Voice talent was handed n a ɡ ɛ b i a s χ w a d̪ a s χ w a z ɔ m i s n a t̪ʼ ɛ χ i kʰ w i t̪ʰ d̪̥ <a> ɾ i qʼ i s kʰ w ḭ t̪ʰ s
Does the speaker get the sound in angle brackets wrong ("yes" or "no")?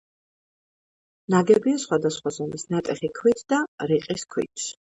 no